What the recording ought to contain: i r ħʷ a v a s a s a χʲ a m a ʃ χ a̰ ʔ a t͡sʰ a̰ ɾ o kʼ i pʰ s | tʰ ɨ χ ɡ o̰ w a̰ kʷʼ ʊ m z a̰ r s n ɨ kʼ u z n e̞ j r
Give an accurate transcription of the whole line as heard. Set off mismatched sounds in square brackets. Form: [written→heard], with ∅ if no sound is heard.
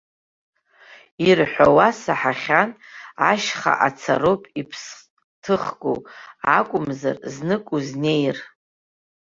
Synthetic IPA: i r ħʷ a [v→w] a s a [s→ħ] a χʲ a [m→n] a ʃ χ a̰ ʔ a t͡sʰ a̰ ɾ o [kʼ→pʼ] i pʰ s | tʰ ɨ χ ɡ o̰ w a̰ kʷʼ ʊ m z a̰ r [s→z] n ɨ kʼ u z n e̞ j r